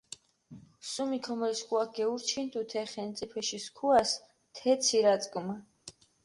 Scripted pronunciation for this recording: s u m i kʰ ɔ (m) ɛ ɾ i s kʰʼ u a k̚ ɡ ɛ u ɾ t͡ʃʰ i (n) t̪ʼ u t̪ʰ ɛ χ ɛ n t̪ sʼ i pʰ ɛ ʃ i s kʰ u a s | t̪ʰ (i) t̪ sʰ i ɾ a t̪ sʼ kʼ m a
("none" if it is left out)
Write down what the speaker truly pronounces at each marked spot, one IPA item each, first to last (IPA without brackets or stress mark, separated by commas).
m, n, ɛ